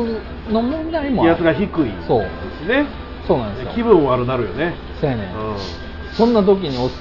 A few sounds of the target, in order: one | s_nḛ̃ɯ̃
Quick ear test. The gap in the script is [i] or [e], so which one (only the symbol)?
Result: e